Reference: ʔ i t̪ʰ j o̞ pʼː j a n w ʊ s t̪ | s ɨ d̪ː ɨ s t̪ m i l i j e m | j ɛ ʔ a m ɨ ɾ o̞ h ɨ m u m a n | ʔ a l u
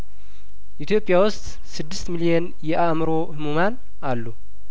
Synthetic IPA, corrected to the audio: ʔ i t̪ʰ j o̞ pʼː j a w ʊ s t̪ | s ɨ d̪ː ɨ s t̪ m i l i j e n | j ɛ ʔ a m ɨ ɾ o̞ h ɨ m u m a n | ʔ a lː u